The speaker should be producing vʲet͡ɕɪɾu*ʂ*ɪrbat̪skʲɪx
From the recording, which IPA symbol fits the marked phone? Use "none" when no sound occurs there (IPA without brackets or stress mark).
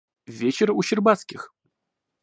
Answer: ɕ